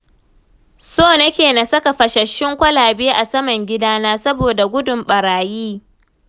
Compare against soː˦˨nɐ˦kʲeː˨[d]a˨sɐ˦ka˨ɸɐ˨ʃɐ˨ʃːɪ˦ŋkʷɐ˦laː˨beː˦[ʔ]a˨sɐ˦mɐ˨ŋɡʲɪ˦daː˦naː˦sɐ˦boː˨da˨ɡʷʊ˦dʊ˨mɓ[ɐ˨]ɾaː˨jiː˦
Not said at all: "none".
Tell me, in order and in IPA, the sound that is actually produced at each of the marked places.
n, ʔ, ɐ˨

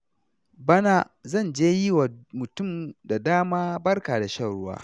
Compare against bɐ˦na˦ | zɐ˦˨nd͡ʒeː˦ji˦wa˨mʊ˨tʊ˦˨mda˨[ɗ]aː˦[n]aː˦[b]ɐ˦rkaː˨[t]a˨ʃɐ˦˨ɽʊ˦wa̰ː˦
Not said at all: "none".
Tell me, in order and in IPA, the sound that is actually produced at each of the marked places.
d, m, b, d

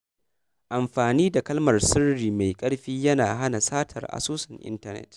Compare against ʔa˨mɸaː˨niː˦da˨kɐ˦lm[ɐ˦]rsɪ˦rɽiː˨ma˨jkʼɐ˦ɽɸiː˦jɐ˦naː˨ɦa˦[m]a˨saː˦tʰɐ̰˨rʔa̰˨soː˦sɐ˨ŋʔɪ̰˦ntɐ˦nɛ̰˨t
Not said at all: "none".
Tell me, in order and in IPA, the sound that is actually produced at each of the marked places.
ɐ˨, n

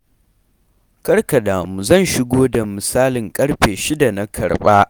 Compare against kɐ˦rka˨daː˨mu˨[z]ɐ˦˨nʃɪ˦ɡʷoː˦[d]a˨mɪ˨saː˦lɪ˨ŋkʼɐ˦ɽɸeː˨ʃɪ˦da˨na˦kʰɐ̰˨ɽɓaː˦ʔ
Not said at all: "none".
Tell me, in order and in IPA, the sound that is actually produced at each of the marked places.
z, d

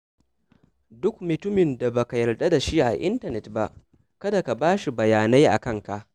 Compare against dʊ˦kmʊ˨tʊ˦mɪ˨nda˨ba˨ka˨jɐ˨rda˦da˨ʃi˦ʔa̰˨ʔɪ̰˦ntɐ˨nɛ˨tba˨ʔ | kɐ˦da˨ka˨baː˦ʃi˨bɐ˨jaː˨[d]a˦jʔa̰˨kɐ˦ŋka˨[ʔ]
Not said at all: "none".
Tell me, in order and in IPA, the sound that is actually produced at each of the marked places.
n, ʔ

